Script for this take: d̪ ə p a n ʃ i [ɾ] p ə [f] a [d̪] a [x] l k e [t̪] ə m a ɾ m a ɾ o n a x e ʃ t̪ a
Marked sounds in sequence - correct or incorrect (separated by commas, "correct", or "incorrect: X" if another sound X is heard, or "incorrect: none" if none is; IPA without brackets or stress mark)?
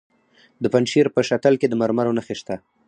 correct, incorrect: ʃ, incorrect: t̪, incorrect: none, incorrect: d̪